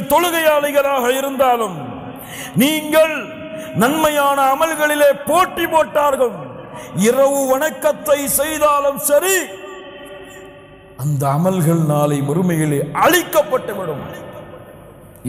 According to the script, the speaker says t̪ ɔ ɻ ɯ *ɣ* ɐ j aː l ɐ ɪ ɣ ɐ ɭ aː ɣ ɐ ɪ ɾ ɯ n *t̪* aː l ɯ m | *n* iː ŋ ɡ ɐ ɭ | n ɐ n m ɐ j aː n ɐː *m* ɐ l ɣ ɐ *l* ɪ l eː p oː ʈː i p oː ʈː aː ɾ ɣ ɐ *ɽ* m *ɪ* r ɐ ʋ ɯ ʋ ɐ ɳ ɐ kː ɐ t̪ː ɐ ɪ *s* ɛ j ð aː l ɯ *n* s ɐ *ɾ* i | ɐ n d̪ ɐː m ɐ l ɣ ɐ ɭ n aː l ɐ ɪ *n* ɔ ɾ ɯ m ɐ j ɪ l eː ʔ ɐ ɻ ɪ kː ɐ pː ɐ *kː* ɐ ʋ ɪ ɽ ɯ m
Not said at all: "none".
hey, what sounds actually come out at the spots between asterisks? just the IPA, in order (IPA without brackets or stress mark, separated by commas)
ɣ, d̪, n, m, ɭ, ɭ, ɪ, s, m, ɾ, m, ʈː